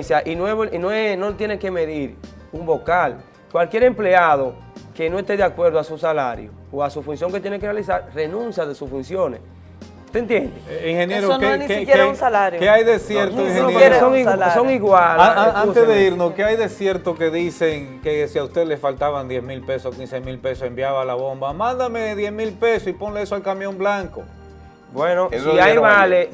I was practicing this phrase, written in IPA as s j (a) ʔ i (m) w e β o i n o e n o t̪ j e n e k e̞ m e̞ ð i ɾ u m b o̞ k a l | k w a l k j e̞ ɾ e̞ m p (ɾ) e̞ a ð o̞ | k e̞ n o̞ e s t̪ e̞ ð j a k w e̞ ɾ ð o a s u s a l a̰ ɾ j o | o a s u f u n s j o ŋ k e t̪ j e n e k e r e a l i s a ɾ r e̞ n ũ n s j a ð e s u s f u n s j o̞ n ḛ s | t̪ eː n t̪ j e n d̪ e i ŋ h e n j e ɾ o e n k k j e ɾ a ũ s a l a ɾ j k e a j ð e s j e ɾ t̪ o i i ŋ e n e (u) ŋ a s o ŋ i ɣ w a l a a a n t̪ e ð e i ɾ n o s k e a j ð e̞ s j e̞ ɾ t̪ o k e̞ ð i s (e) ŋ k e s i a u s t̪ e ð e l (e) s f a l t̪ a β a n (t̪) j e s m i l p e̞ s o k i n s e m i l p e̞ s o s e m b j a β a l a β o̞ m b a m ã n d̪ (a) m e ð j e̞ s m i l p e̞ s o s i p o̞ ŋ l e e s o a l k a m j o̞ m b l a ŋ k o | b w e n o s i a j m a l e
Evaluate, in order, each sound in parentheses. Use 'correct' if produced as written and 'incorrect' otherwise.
correct, incorrect: n, incorrect: l, incorrect: o, correct, correct, incorrect: d̪, correct

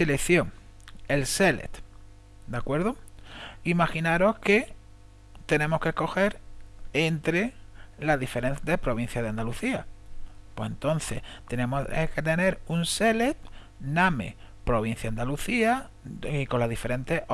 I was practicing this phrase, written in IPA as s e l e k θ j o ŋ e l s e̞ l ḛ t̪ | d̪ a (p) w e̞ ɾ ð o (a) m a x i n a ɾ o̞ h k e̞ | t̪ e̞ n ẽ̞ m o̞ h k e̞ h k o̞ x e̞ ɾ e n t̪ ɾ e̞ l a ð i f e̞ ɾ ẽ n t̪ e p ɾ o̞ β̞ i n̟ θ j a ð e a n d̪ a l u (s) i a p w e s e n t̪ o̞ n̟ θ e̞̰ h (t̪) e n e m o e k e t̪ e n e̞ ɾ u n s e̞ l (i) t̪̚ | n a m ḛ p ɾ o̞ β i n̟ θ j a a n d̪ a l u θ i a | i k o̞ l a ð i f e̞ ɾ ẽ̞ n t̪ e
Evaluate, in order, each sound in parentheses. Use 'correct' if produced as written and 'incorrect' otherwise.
incorrect: k, incorrect: i, incorrect: θ, correct, incorrect: e

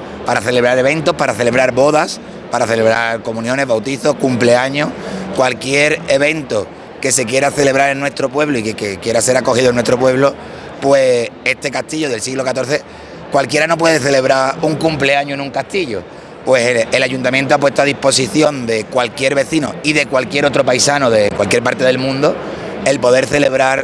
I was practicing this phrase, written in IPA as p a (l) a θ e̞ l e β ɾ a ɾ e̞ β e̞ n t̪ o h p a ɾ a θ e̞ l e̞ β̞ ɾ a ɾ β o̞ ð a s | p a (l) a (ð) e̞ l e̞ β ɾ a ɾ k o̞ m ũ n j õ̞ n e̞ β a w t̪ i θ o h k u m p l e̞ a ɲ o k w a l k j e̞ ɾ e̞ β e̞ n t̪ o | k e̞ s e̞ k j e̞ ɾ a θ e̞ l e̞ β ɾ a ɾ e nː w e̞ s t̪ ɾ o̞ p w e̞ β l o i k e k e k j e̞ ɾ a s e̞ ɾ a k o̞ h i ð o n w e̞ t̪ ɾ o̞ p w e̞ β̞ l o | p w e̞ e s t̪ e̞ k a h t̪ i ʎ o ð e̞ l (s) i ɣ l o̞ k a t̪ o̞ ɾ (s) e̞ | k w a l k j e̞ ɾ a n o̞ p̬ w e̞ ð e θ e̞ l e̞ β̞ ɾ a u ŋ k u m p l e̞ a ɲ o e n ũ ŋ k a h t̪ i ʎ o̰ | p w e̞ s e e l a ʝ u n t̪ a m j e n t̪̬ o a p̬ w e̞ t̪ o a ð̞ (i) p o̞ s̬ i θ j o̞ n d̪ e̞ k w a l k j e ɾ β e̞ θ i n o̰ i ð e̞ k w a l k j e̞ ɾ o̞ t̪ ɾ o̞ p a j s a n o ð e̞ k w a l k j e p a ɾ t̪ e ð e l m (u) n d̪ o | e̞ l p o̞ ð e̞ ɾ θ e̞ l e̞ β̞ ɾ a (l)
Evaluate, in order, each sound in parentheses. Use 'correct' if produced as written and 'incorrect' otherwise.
incorrect: ɾ, incorrect: ɾ, incorrect: θ, correct, incorrect: θ, correct, incorrect: ũ, incorrect: ɾ

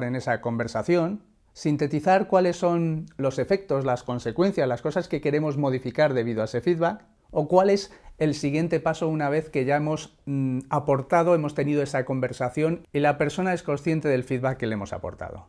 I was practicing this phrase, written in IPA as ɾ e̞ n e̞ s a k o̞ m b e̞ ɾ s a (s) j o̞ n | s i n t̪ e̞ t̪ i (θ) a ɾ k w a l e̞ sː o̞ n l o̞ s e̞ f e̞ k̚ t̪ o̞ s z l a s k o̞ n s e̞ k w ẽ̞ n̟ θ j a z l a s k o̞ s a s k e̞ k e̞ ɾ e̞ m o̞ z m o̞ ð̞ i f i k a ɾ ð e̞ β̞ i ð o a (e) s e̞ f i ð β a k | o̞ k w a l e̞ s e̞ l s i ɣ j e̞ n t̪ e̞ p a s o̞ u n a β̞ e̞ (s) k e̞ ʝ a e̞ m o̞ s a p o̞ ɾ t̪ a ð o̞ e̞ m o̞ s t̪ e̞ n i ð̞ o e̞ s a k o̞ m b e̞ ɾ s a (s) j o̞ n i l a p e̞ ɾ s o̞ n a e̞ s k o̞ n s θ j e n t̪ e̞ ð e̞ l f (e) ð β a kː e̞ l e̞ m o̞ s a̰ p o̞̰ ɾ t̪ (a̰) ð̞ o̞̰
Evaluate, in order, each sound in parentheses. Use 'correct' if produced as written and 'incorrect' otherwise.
incorrect: θ, correct, correct, incorrect: θ, incorrect: θ, incorrect: i, correct

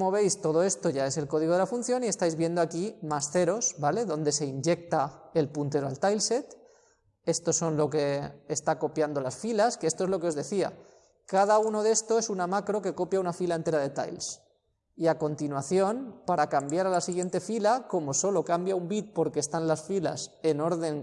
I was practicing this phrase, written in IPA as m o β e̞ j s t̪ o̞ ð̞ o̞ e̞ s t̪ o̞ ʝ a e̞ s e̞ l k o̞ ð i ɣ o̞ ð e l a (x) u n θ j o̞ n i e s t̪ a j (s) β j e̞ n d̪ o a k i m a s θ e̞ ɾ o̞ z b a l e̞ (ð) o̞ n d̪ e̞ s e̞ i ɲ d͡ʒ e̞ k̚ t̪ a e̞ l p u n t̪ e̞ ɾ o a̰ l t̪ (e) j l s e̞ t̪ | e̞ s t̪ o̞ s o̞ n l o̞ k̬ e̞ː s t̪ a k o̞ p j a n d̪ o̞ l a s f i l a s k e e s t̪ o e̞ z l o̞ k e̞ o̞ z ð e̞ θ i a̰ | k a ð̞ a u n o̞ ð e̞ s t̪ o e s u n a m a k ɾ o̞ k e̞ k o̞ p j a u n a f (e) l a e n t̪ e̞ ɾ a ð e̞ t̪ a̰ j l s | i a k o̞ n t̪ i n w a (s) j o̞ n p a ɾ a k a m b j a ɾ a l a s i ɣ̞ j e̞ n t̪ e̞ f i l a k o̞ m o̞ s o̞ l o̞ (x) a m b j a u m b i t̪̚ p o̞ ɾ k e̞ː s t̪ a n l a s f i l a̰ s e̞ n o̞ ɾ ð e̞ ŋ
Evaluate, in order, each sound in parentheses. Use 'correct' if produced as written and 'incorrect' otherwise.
incorrect: f, incorrect: z, correct, incorrect: a, incorrect: i, incorrect: θ, incorrect: k

